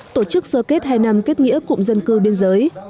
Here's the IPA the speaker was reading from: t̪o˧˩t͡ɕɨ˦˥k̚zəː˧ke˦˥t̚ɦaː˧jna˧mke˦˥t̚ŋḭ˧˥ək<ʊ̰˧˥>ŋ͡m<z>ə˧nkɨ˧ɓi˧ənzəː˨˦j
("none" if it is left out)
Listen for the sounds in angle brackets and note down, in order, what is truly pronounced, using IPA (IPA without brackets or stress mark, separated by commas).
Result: ʊ̰˧˨, z